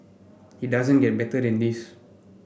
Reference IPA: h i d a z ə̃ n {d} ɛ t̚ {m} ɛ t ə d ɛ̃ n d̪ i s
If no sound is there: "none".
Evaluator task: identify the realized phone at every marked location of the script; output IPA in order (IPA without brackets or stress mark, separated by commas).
ɡ, b